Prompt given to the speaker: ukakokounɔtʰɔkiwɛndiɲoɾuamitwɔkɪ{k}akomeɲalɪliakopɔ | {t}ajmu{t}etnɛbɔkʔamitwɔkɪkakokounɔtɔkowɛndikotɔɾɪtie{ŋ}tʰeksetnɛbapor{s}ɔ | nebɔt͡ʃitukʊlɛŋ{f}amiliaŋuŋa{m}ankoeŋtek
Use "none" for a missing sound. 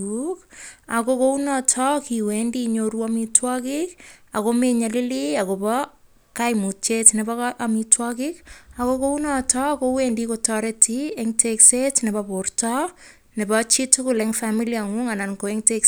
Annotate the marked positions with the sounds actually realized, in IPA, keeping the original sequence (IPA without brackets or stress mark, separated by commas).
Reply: k, k, t͡ʃ, ŋ, t, f, n